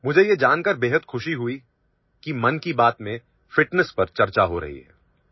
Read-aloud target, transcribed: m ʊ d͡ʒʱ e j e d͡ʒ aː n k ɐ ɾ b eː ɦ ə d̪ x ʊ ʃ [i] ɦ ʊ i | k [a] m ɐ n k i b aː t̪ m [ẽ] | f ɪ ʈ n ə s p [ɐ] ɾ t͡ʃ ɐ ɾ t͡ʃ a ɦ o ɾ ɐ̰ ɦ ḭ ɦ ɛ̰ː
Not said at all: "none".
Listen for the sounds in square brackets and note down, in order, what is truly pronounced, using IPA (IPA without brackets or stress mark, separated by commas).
i, i, ẽ, ɐ